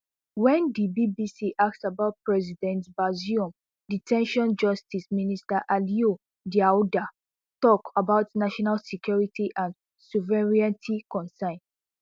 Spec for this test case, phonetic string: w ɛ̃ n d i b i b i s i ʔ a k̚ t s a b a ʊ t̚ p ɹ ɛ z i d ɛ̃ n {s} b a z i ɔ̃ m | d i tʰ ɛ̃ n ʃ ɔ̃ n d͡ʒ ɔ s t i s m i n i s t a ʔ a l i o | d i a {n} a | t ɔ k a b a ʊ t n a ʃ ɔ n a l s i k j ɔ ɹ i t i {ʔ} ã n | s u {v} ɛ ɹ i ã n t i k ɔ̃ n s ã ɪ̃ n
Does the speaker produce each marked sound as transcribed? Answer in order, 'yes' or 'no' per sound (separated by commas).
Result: no, no, yes, yes